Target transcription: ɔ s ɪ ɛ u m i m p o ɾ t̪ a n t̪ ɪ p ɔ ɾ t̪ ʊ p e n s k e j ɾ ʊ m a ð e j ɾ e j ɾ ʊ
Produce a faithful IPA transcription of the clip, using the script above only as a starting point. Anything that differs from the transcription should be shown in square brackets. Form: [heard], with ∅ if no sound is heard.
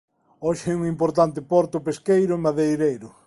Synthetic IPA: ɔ [ʃ] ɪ ɛ u [ŋ] i m p o ɾ t̪ a n t̪ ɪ p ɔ ɾ t̪ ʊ p e [∅] s k e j ɾ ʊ m a ð e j ɾ e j ɾ ʊ